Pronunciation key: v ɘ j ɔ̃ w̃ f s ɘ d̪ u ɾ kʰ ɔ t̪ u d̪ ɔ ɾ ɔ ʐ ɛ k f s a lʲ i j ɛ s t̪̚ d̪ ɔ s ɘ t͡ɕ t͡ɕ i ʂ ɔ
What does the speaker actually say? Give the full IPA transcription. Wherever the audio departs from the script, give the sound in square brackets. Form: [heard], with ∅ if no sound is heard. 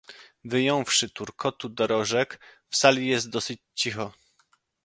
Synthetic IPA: v ɘ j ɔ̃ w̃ f [ʂ] ɘ [t̪] u ɾ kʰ ɔ t̪ u d̪ ɔ ɾ ɔ ʐ ɛ k f s a lʲ i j ɛ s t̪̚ d̪ ɔ s ɘ t͡ɕ t͡ɕ i [x] ɔ